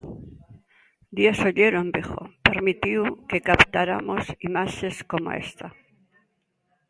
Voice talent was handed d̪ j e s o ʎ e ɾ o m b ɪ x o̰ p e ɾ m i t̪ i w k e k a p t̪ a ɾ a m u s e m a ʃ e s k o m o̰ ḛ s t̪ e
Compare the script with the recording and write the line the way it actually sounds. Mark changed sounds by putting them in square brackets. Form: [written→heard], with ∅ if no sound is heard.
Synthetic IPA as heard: d̪ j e s o ʎ e ɾ o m b [ɪ→i] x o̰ p e ɾ m i t̪ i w k e k a p t̪ a ɾ a m [u→o] s [e→i] m a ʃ e s k o m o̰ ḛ s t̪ [e→a]